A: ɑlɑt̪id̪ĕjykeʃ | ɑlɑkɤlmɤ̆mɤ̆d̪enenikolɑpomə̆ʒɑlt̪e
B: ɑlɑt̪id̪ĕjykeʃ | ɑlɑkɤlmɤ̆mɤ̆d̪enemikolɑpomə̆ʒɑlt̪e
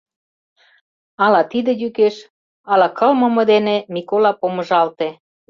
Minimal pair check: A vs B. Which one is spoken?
B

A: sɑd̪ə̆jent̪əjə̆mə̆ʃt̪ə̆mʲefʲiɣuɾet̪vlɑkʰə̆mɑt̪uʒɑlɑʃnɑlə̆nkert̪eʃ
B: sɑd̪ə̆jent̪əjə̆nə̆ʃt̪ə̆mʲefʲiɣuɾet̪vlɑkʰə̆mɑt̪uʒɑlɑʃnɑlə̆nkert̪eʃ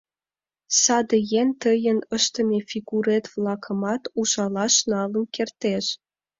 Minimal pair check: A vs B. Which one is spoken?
B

